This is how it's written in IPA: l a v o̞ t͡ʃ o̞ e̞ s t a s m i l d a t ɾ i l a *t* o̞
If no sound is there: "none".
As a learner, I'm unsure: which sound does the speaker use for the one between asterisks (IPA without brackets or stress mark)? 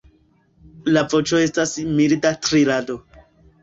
d